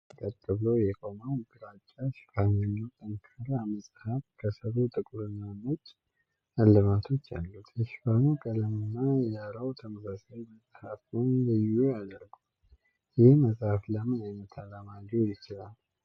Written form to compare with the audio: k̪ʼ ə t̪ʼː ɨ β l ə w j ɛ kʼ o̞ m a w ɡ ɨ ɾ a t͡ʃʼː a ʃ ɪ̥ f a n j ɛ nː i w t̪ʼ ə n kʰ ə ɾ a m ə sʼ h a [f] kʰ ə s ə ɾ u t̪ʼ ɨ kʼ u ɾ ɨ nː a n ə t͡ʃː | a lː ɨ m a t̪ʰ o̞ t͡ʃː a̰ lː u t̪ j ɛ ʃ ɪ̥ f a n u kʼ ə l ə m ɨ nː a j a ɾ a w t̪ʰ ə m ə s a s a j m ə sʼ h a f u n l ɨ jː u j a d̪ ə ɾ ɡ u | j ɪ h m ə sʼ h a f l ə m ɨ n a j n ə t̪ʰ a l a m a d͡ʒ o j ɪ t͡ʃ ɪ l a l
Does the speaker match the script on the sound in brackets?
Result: yes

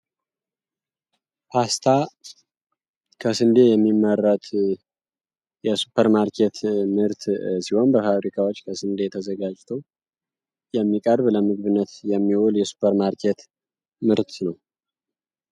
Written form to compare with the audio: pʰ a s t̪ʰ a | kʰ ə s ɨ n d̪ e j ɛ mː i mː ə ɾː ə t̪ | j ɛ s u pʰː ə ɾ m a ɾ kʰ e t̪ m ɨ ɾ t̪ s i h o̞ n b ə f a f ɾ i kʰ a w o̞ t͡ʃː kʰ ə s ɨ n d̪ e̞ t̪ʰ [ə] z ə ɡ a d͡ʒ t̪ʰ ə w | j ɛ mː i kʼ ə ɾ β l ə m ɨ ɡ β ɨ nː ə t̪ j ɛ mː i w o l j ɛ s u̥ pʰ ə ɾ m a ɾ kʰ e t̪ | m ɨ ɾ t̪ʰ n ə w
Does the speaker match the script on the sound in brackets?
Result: yes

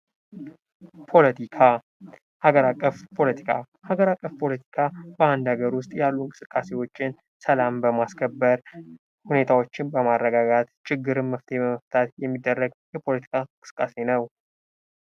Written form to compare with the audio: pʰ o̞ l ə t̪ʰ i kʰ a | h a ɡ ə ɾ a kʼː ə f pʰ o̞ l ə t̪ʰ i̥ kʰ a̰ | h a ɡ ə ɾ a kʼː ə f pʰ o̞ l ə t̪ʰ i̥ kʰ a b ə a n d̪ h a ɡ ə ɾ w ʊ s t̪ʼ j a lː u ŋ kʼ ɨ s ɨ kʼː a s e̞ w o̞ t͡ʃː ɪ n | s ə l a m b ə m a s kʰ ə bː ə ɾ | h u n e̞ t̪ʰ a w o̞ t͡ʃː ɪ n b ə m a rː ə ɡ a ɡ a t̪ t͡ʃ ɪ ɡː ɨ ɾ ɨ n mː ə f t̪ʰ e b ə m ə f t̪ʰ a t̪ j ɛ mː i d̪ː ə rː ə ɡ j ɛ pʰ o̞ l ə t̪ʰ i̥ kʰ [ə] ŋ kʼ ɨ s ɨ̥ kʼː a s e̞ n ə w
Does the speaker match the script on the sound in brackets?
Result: no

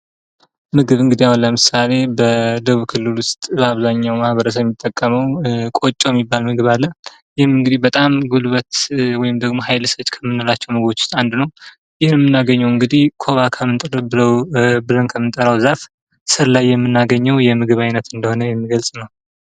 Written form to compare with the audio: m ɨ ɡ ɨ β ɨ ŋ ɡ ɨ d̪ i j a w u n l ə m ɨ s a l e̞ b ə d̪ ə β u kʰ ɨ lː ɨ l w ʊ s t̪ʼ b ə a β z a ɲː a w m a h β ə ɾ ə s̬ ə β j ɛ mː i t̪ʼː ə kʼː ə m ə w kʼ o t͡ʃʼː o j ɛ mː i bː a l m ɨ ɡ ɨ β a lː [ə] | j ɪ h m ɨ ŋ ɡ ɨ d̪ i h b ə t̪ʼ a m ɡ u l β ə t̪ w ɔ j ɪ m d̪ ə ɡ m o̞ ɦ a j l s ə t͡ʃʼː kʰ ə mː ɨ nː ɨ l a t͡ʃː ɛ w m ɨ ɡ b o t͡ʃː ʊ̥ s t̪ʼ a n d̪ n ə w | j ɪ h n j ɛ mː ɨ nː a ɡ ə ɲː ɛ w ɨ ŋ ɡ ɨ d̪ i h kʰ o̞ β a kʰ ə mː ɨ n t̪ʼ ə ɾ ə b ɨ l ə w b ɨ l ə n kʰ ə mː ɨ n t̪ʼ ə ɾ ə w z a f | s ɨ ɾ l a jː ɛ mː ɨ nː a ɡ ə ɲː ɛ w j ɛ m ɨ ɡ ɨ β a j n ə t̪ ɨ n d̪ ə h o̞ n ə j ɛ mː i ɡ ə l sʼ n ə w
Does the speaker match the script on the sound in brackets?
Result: yes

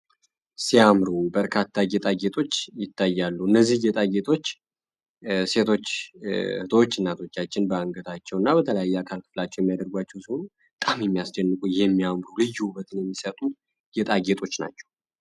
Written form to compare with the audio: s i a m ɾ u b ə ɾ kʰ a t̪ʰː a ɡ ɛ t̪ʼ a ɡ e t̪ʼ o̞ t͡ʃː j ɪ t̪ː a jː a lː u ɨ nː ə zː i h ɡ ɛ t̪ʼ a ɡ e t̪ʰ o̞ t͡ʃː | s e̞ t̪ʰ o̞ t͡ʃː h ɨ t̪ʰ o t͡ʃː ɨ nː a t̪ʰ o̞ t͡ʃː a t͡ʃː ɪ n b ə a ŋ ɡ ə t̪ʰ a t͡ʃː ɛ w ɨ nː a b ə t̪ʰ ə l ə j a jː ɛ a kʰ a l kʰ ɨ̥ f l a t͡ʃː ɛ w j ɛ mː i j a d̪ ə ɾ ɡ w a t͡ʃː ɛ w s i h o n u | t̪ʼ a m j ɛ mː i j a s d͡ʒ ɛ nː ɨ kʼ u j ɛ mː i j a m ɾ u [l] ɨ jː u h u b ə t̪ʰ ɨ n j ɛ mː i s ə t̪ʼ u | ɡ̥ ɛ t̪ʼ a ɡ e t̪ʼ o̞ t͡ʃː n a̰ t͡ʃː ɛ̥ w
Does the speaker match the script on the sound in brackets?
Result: yes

